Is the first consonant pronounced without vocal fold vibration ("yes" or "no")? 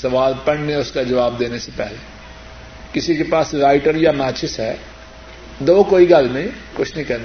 yes